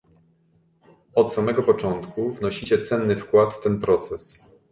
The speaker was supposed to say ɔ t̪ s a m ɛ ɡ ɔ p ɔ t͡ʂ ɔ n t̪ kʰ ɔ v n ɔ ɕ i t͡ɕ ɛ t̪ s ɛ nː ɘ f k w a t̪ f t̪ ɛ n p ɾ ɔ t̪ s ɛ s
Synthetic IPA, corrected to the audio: ɔ t̪ s a m ɛ ɡ ɔ p ɔ t͡ʂ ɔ n t̪ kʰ u v n ɔ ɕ i t͡ɕ ɛ t̪ s ɛ nː ɘ f k w a t̪ f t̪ ɛ n p ɾ ɔ t̪ s ɛ s